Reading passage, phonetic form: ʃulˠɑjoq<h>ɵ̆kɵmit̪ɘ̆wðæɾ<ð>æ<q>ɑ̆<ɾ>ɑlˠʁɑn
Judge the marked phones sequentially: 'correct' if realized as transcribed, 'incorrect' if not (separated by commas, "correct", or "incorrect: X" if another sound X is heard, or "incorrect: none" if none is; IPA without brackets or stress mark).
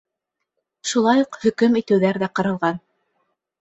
correct, correct, correct, correct